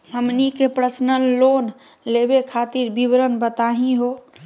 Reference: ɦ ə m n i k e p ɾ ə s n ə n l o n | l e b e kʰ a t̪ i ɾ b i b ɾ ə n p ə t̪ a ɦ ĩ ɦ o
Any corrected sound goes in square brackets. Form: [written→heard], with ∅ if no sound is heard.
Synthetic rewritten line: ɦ ə m n i k e p ɾ ə s n ə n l o n | l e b e kʰ a t̪ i ɾ b i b ɾ ə n [p→b] ə t̪ a ɦ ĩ ɦ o